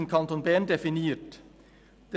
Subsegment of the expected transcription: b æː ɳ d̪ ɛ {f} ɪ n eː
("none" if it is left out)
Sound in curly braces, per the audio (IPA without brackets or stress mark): f